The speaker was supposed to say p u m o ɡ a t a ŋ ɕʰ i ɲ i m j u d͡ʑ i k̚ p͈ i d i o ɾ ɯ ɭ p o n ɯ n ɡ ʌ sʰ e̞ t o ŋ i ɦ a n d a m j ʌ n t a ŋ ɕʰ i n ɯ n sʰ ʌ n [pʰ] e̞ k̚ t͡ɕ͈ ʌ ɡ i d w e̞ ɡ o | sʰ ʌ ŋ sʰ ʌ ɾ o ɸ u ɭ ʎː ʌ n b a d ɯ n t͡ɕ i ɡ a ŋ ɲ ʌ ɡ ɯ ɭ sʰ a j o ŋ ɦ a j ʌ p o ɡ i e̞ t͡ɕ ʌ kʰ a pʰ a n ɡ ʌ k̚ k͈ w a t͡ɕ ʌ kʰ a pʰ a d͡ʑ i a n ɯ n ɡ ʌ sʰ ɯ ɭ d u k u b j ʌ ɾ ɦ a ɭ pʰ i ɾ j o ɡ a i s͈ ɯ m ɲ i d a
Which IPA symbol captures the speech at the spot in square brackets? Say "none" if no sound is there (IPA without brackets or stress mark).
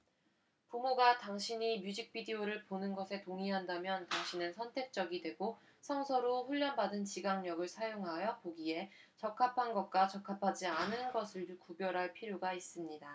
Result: tʰ